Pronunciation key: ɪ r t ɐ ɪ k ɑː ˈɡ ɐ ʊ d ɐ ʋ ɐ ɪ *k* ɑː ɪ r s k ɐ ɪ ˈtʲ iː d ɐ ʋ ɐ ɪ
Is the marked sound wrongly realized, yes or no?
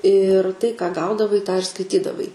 yes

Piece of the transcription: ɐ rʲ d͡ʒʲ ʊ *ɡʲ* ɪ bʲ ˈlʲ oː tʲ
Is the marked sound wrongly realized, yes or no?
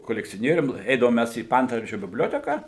yes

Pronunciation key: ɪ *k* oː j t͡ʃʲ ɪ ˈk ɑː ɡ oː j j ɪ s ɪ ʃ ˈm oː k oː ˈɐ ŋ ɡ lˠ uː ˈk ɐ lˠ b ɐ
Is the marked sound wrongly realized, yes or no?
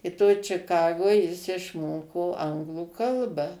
yes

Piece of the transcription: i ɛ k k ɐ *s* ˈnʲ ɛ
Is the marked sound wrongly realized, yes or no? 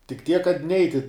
yes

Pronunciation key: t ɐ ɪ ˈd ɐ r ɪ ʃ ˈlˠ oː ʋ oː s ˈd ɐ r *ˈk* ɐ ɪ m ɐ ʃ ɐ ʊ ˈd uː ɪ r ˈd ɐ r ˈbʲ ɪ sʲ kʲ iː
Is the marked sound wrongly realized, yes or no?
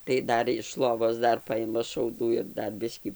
yes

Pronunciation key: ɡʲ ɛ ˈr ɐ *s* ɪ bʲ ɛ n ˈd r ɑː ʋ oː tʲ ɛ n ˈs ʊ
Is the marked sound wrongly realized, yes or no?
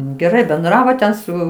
yes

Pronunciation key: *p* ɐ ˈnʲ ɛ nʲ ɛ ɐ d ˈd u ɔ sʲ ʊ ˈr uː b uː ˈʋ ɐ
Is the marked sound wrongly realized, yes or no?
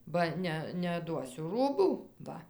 yes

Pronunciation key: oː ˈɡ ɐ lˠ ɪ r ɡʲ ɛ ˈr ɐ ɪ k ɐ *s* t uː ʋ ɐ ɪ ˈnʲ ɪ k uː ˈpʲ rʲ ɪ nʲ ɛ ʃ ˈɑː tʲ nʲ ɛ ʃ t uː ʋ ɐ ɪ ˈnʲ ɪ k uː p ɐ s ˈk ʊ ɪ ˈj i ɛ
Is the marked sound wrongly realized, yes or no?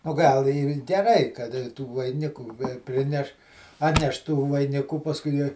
yes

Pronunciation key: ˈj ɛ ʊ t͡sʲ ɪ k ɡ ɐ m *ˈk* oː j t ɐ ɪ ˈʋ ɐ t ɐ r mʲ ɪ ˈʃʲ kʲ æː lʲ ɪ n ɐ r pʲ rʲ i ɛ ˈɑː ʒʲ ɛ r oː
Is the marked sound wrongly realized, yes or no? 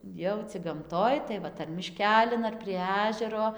yes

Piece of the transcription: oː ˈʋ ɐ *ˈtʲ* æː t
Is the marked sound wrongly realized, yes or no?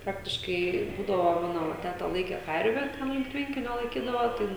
no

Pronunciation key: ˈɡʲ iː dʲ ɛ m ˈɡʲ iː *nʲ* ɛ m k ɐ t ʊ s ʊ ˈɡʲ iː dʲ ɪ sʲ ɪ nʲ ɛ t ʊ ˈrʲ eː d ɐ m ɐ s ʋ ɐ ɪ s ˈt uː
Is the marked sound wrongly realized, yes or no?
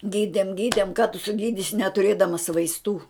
yes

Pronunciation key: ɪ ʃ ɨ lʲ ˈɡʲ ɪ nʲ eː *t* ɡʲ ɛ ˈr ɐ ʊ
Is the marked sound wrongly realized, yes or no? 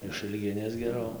yes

